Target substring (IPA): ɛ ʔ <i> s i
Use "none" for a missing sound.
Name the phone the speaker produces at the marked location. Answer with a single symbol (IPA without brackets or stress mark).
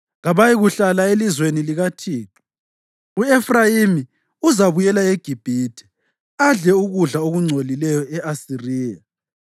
a